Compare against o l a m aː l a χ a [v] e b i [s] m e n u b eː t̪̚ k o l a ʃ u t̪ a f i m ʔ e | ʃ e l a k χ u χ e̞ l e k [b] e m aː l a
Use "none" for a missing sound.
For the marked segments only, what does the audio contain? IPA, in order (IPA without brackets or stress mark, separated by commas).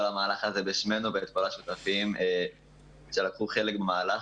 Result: z, ʃ, b